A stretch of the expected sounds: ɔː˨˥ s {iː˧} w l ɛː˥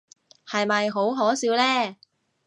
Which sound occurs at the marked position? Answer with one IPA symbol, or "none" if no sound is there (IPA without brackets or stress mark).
iː˨˥